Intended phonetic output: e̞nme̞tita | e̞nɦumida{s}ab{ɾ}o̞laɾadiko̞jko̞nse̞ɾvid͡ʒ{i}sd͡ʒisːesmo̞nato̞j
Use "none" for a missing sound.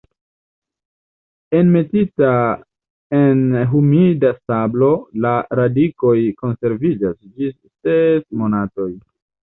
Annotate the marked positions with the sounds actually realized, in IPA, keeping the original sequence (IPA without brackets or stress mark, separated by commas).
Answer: s, l, a